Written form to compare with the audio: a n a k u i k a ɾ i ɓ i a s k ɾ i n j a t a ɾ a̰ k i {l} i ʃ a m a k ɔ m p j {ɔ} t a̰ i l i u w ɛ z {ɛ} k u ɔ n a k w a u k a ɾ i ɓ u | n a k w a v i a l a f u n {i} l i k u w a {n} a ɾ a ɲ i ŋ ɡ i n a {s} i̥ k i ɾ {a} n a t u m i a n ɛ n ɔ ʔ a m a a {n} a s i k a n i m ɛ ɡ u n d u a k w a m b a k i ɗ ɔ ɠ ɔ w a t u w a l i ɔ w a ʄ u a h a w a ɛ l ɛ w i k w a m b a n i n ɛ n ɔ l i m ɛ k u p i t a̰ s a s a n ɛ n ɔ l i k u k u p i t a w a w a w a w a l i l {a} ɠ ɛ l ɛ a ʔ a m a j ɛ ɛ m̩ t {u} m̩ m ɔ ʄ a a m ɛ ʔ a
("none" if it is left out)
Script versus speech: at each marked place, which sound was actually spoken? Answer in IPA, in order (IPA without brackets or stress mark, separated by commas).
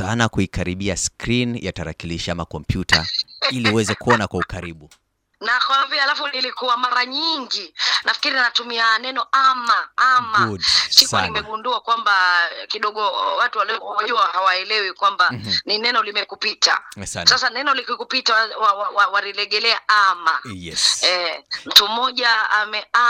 l, u, ɛ, i, m, f, i, m, ɛ, u